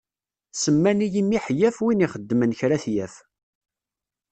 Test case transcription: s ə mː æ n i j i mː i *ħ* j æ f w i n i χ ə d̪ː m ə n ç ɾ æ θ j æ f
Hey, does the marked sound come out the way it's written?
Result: yes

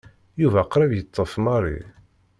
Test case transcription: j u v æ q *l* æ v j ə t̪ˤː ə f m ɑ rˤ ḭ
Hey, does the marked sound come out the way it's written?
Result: no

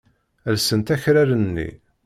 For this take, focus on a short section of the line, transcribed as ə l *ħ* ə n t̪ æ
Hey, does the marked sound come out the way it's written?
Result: no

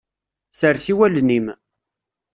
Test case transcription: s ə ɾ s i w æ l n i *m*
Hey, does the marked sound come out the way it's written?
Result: yes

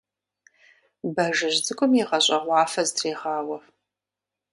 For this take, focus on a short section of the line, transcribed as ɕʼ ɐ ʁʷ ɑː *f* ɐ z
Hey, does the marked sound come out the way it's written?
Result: yes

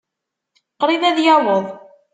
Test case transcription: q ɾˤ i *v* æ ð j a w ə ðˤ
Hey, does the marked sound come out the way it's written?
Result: no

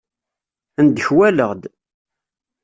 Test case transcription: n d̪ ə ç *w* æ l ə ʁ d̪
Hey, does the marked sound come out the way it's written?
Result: yes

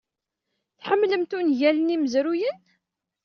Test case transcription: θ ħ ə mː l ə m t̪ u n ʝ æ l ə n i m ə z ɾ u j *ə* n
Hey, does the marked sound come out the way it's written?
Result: yes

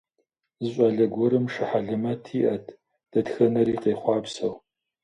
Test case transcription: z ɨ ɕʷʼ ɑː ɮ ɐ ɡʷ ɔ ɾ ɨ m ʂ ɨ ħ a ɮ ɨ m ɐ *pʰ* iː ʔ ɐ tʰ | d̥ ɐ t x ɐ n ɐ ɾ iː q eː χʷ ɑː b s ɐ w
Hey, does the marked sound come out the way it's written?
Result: no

